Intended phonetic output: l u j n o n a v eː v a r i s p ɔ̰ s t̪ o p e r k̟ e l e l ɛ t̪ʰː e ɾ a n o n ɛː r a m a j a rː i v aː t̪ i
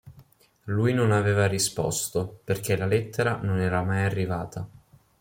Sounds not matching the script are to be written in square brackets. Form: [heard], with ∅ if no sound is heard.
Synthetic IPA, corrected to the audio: l u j n o n a v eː v a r i s p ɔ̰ s t̪ o p e r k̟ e l [a] l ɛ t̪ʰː e ɾ a n o n ɛː [ɾ] a m a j a rː i v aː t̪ [a]